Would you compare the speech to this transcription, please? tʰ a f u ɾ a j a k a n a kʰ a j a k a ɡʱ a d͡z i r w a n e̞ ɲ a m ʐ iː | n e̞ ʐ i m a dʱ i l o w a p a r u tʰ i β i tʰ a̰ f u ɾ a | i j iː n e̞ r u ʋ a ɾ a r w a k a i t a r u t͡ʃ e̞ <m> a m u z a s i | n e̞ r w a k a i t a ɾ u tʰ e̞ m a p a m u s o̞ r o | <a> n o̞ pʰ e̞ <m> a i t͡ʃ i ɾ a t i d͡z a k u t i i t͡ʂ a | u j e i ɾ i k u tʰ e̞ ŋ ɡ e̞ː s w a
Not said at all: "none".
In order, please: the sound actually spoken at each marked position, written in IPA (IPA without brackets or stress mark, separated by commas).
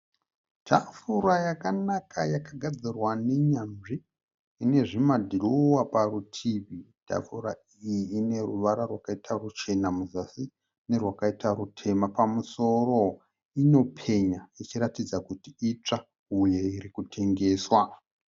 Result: n, i, ɲ